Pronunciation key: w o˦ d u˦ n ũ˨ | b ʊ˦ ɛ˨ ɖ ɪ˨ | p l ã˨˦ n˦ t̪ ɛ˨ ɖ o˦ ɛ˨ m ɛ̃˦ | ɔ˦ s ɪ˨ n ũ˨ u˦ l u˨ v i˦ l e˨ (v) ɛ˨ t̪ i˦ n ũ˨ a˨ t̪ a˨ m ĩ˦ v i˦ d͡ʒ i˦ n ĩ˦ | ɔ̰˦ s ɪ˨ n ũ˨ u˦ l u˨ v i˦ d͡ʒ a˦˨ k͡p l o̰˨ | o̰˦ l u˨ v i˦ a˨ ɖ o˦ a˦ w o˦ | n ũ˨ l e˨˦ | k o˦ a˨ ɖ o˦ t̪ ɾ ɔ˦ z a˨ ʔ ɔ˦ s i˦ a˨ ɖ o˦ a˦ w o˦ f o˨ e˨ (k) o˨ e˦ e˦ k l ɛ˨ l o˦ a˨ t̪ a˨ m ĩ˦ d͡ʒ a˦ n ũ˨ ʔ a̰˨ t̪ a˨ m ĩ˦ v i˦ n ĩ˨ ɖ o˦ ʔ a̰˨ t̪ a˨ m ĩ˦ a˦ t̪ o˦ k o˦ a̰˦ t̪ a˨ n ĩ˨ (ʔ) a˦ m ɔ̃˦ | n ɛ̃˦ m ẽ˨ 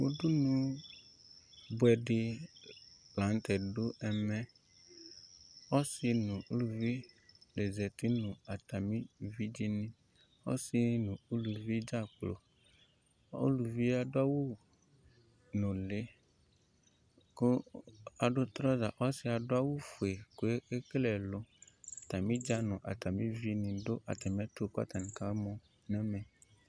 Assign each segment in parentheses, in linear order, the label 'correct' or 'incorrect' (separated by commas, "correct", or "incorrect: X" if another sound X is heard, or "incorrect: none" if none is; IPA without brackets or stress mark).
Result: incorrect: z, correct, incorrect: k